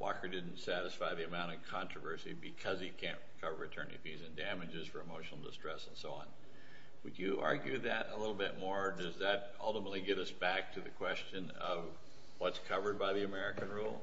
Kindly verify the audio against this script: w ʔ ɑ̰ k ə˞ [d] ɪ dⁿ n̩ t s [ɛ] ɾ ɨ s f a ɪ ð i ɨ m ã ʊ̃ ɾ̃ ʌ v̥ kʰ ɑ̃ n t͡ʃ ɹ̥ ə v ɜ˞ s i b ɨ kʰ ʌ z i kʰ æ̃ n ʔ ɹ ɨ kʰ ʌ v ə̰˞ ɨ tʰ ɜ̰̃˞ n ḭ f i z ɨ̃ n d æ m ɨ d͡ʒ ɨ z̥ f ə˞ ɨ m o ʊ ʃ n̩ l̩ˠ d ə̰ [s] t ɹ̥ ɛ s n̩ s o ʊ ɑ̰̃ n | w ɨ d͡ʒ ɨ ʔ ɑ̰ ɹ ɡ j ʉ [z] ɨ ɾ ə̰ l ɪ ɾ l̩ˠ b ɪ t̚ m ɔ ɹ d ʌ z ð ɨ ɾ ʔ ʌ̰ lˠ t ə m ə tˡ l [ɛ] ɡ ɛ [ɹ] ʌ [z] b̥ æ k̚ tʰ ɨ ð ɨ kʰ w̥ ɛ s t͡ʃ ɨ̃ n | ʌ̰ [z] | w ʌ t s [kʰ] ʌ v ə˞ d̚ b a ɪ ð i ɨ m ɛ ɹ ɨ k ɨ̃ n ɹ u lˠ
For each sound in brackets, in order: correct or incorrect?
correct, incorrect, correct, incorrect, incorrect, incorrect, incorrect, incorrect, correct

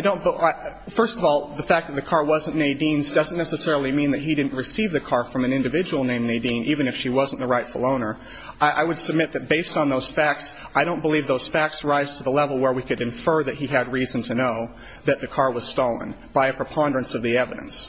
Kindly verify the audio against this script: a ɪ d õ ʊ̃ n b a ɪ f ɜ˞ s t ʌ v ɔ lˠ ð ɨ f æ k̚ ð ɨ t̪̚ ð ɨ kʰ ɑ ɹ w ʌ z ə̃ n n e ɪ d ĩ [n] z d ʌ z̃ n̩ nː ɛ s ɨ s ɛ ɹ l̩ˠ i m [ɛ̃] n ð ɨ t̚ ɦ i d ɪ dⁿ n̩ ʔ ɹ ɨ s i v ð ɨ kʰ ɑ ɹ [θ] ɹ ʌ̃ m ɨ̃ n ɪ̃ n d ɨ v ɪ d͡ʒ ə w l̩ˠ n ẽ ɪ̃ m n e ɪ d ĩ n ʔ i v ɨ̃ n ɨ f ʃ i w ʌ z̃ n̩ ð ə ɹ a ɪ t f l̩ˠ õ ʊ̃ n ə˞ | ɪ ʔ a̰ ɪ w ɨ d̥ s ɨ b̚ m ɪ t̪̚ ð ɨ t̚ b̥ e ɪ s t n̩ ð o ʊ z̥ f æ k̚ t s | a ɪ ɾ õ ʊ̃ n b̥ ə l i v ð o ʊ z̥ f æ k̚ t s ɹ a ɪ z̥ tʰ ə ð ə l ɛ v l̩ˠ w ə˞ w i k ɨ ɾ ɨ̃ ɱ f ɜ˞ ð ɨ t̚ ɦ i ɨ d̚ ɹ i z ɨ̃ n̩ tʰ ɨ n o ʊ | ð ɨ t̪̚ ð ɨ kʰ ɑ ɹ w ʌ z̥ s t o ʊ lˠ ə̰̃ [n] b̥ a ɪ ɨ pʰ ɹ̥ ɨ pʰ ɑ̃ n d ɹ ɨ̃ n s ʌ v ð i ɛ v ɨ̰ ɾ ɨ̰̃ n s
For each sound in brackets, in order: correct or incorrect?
correct, incorrect, incorrect, correct

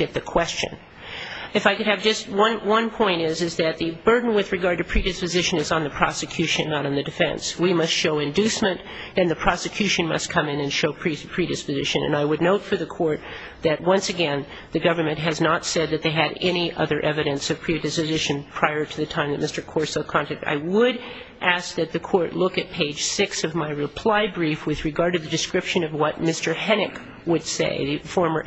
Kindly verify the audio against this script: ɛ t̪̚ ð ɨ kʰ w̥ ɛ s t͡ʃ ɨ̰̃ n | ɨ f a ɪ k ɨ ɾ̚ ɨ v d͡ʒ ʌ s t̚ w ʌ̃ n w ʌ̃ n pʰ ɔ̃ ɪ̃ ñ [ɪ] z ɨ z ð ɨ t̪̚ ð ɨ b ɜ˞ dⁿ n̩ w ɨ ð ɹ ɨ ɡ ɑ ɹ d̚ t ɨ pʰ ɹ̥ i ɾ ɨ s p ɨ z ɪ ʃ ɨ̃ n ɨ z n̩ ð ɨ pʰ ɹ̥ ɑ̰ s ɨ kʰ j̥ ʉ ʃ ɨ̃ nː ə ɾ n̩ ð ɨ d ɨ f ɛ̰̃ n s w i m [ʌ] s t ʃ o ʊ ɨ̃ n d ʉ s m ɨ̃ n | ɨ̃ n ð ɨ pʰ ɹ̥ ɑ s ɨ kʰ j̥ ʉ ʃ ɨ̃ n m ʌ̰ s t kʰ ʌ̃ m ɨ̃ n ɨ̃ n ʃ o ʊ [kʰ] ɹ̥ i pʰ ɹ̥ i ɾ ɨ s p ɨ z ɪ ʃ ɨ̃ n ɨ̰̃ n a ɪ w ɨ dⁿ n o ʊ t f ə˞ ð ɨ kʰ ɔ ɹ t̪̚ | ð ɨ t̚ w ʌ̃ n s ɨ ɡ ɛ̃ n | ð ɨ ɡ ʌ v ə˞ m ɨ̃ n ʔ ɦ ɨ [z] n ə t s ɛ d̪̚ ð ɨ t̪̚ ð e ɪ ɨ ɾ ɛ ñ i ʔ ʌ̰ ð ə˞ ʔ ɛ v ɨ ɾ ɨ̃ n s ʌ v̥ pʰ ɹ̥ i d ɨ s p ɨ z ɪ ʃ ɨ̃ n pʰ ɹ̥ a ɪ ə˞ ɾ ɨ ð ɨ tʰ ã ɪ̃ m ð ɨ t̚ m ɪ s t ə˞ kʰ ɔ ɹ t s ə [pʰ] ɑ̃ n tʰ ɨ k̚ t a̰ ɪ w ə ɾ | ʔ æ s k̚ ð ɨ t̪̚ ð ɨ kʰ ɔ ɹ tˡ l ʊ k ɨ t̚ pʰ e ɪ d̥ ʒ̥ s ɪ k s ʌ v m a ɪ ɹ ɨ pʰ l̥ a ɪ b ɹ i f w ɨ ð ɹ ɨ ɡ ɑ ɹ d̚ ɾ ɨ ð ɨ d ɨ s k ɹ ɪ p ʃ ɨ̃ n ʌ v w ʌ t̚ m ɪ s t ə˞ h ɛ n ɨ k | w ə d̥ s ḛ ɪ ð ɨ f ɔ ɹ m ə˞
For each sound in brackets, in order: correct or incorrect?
correct, correct, incorrect, correct, incorrect

